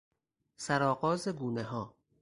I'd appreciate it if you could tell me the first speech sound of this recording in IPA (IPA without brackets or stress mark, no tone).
s